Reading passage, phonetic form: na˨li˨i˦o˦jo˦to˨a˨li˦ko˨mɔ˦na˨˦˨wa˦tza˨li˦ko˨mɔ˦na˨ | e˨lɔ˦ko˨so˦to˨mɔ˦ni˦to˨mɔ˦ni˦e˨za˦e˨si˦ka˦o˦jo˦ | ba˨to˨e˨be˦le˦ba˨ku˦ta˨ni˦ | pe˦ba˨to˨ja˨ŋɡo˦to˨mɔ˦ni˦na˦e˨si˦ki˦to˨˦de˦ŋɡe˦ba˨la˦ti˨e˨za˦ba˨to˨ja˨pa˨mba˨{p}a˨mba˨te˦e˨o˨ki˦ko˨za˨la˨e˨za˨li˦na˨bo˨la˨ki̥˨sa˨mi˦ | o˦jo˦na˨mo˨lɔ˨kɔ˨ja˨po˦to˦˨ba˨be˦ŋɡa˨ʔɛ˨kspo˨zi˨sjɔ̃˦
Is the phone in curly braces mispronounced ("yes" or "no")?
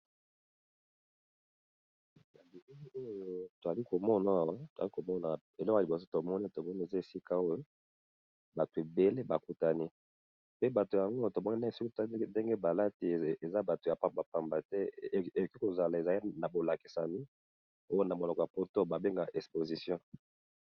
no